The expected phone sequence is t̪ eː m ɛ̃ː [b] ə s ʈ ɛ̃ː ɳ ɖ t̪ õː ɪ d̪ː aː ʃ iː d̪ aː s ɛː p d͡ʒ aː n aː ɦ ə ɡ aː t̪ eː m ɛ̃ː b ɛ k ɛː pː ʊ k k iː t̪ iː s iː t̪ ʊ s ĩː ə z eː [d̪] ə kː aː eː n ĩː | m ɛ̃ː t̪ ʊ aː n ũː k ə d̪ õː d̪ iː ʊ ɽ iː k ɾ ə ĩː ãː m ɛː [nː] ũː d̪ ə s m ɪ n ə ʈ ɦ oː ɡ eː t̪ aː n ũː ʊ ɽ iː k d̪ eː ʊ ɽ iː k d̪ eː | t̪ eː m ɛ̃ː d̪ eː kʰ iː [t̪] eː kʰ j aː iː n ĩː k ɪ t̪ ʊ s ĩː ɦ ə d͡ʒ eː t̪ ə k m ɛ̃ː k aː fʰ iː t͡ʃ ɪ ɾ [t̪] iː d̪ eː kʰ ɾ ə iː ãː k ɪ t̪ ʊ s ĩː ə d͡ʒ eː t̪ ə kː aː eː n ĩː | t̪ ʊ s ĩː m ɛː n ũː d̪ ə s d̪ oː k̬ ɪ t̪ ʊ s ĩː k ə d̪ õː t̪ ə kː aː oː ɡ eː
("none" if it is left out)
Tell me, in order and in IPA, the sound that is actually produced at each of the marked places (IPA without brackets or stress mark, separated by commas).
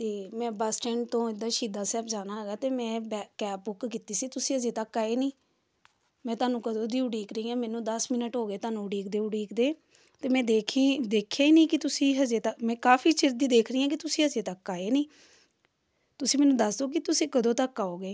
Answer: b, t̪, n, d̪, d̪